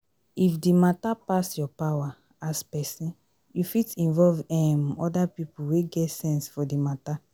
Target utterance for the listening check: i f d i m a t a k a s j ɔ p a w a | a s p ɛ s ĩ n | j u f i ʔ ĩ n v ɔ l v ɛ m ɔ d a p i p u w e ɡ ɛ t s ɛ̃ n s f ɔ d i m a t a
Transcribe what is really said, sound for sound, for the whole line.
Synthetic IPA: i f d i m a t a p a s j ɔ p a w a | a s p ɛ s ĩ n | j u f i t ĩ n v ɔ l v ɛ m ɔ d a p i p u w e ɡ ɛ t s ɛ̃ n s f ɔ d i m a t a